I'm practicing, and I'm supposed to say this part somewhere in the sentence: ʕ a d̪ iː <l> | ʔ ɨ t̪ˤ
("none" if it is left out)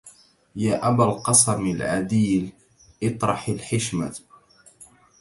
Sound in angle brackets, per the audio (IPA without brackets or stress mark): l